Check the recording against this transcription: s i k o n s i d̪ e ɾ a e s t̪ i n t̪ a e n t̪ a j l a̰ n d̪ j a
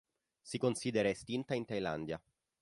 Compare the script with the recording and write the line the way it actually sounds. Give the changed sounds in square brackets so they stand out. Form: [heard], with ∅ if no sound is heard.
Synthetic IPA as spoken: s i k o n s i d̪ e ɾ a e s t̪ i n t̪ a [i] n t̪ a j l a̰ n d̪ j a